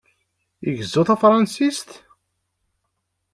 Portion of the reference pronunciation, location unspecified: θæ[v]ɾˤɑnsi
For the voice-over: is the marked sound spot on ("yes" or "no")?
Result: no